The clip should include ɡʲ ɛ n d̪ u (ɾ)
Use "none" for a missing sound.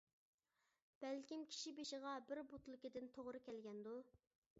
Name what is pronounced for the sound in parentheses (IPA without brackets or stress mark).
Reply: none